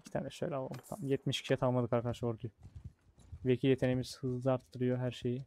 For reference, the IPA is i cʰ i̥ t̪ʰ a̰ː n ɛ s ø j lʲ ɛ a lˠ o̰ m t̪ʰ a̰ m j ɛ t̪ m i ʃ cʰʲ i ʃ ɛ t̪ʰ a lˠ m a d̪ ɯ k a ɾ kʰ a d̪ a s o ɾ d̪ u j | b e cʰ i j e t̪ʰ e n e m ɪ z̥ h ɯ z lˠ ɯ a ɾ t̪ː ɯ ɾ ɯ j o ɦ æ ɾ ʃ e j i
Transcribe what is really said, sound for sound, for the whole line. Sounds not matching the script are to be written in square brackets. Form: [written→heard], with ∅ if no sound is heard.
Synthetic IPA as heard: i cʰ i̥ t̪ʰ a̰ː n ɛ [s→ʃ] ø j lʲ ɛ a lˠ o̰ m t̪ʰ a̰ m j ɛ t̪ m i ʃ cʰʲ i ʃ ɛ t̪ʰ a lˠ m a d̪ ɯ k a ɾ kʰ a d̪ a [s→ʃ] o ɾ d̪ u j | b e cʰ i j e t̪ʰ e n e m [ɪ→i] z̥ h ɯ z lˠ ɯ a ɾ t̪ː ɯ ɾ ɯ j o ɦ æ ɾ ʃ e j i